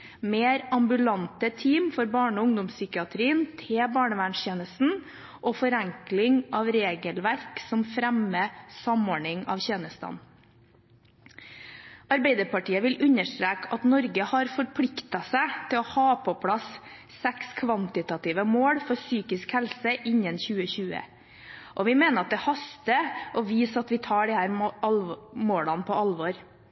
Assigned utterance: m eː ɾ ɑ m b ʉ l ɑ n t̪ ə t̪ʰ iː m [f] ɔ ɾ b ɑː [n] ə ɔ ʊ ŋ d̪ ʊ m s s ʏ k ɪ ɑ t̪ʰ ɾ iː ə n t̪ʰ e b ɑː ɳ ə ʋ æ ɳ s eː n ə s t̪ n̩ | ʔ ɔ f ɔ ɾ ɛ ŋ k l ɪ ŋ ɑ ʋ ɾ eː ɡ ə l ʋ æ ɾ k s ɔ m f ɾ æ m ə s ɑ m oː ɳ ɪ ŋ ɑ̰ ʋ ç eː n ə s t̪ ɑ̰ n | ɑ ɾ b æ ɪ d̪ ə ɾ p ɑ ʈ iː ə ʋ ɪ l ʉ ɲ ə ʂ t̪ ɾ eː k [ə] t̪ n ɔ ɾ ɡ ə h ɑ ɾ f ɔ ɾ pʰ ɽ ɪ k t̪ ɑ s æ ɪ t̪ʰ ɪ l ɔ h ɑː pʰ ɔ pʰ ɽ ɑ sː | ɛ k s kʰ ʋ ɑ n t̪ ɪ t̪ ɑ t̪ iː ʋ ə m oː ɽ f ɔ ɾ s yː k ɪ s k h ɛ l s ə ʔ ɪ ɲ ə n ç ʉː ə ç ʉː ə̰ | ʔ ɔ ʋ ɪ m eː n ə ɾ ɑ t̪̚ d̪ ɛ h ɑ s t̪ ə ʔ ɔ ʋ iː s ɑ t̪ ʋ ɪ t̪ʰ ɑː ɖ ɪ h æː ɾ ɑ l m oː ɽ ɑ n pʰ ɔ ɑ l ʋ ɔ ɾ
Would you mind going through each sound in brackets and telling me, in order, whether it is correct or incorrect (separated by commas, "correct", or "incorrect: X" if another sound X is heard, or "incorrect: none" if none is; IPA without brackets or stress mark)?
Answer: correct, incorrect: ɳ, incorrect: ɑ